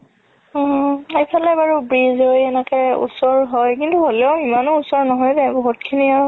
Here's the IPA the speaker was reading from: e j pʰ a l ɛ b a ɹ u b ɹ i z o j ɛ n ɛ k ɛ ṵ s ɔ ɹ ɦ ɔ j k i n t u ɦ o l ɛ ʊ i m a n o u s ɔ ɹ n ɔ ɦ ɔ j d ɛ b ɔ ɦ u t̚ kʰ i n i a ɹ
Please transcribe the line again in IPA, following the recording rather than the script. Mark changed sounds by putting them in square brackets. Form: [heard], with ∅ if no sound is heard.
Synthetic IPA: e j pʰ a l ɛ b a ɹ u b ɹ i z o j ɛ n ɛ k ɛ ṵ s ɔ ɹ ɦ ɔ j k i n t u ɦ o l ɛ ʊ i m a n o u s ɔ ɹ n ɔ ɦ ɔ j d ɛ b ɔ ɦ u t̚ kʰ i n i a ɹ